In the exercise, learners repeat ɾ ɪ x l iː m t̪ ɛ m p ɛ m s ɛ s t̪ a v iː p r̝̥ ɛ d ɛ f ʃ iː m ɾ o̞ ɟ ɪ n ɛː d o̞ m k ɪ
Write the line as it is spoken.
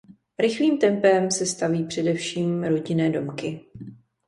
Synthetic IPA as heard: ɾ ɪ x l iː m t̪ ɛ m p ɛ m s ɛ s t̪ a v iː p r̝̥ ɛ d ɛ f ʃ iː m ɾ o̞ ɟ ɪ n ɛː d o̞ m k ɪ